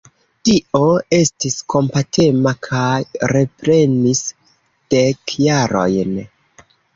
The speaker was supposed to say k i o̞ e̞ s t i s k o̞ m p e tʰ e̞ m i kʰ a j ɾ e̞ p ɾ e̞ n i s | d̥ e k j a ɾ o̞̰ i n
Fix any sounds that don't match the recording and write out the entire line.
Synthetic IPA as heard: t i o̞ e̞ s t i s k o̞ m p a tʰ e̞ m a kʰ a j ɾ e̞ p ɾ e̞ n i s | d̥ e k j a ɾ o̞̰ j n